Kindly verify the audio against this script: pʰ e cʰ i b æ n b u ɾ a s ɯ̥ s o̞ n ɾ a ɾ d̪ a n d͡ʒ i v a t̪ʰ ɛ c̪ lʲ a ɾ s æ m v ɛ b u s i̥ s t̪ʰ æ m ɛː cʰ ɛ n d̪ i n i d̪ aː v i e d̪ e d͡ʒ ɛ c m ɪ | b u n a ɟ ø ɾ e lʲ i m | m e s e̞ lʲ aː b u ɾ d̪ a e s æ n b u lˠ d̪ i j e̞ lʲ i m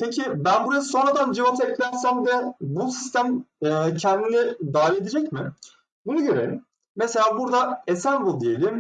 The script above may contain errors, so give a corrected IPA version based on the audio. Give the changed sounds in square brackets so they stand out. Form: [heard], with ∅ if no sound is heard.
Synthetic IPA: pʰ e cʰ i b æ n b u ɾ a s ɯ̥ s o̞ n ɾ a [∅] d̪ a n d͡ʒ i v a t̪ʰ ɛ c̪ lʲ [æ] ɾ s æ m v ɛ b u s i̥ s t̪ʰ æ m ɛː cʰ ɛ n d̪ i n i d̪ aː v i e d̪ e d͡ʒ ɛ c m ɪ | b u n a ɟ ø ɾ e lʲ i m | m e s e̞ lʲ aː b u ɾ d̪ a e s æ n b u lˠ d̪ i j e̞ lʲ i m